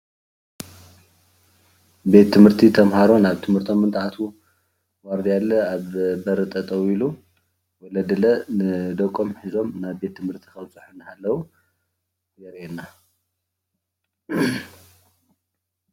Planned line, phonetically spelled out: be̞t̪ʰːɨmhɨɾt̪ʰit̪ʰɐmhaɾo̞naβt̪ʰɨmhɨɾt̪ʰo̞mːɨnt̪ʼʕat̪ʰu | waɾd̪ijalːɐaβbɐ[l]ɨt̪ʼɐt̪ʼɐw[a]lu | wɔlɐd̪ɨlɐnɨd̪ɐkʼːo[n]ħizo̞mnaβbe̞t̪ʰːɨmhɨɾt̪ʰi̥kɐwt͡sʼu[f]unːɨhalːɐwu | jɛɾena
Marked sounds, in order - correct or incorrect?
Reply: incorrect, incorrect, incorrect, incorrect

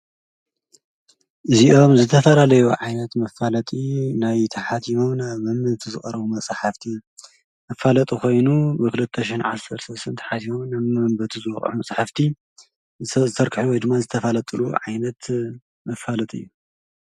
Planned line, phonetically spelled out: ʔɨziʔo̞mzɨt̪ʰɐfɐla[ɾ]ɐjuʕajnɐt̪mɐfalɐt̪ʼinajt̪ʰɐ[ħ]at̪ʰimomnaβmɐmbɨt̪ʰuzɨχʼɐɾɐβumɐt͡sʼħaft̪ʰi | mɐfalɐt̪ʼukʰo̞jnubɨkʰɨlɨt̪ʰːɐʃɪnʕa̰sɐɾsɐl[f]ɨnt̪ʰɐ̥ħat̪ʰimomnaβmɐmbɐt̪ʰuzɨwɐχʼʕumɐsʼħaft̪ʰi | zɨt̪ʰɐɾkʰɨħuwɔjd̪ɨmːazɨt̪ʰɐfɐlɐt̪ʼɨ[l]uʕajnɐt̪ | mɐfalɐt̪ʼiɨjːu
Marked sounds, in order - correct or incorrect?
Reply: incorrect, correct, incorrect, correct

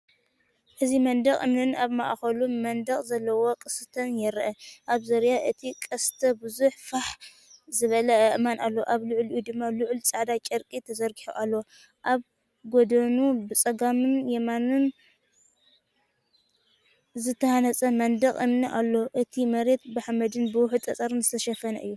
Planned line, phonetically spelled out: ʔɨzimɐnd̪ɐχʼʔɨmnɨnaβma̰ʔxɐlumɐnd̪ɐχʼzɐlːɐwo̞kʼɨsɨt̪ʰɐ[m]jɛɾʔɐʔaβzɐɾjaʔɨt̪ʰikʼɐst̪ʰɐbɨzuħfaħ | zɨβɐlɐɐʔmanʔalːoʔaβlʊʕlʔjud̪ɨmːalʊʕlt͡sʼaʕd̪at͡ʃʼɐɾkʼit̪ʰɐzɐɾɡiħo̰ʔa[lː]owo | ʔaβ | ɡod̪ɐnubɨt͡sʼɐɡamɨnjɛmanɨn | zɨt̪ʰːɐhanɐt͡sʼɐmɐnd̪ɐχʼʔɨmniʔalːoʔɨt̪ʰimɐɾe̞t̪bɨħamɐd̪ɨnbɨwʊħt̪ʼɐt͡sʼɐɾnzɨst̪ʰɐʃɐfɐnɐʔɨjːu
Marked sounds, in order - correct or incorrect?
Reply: incorrect, correct

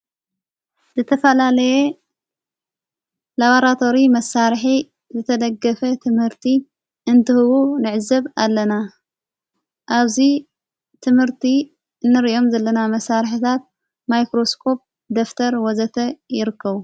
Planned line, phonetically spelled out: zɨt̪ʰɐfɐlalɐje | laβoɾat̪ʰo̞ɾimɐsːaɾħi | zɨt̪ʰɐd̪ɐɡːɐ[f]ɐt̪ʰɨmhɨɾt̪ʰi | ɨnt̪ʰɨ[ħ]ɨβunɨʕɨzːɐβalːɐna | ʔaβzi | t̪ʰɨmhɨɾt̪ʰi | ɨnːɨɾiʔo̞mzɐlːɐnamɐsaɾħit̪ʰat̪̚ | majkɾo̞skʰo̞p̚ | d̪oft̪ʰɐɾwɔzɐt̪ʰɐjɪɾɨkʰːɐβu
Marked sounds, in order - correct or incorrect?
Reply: correct, incorrect

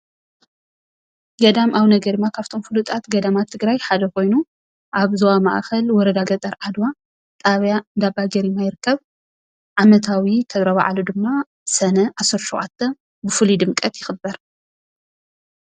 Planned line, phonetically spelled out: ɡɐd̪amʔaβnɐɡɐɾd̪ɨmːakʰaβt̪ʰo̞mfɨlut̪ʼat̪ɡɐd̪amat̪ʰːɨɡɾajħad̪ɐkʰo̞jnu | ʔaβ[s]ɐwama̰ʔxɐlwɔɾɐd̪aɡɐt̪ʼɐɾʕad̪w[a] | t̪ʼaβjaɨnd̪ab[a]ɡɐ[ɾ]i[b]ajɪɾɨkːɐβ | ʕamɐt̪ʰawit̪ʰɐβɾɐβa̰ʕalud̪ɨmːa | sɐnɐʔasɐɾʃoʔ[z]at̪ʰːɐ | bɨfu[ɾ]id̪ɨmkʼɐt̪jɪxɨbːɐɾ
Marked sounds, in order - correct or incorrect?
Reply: incorrect, correct, correct, correct, incorrect, incorrect, incorrect

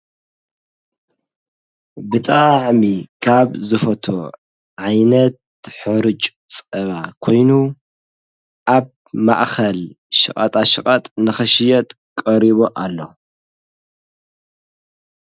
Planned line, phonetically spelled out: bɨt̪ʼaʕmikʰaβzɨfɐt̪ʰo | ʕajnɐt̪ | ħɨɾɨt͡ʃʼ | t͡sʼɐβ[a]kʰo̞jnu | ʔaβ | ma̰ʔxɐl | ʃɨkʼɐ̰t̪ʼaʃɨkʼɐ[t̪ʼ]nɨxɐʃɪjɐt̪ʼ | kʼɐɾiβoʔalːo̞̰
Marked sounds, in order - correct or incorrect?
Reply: correct, correct

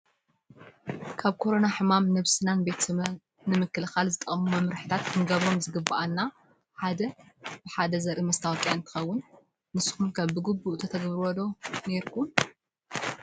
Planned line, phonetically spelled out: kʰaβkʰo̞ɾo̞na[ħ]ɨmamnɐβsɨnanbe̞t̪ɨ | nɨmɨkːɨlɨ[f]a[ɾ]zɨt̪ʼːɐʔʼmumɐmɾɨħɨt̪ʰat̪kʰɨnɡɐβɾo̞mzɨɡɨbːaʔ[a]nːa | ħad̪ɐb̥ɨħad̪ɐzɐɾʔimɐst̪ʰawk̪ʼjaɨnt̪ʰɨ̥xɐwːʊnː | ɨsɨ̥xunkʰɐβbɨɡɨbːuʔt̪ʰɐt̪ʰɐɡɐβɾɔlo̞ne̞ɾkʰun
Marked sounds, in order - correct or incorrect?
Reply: correct, incorrect, incorrect, correct

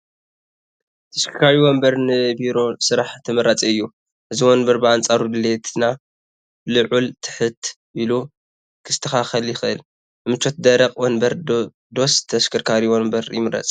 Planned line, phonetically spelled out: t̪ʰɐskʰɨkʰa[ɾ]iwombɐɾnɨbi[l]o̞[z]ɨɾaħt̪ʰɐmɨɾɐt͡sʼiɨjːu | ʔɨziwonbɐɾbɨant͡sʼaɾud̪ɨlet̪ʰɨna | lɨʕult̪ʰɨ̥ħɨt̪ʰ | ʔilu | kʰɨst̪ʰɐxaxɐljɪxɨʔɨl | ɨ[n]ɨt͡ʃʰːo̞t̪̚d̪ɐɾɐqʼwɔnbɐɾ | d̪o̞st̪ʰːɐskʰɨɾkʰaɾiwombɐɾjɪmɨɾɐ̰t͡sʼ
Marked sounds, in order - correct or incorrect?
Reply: correct, incorrect, incorrect, incorrect

